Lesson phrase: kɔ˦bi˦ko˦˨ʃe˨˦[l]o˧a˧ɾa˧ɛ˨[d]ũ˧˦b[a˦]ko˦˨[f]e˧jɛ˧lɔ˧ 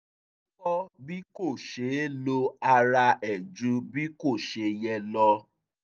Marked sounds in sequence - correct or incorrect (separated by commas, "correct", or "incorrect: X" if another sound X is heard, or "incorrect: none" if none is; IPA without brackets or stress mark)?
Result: correct, incorrect: d͡ʒ, incorrect: i˦, incorrect: ʃ